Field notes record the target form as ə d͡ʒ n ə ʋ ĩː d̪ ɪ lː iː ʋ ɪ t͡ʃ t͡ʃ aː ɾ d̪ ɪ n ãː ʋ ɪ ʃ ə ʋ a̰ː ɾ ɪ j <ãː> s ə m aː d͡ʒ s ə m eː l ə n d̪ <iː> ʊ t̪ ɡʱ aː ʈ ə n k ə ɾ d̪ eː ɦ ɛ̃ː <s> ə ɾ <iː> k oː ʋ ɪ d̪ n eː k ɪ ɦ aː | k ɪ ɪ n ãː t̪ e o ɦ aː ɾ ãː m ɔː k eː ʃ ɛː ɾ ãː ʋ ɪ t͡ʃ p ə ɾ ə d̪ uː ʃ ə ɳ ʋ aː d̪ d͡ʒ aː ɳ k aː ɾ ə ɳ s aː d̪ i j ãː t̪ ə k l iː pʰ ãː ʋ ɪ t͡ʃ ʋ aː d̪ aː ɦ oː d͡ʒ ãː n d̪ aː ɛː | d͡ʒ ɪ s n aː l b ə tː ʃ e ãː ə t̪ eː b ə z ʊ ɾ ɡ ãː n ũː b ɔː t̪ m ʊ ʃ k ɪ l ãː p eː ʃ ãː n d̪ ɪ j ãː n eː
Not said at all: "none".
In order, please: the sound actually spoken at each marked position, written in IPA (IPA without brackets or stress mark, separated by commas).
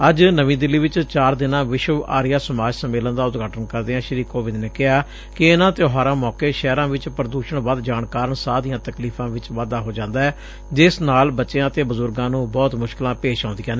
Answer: aː, aː, ʃ, iː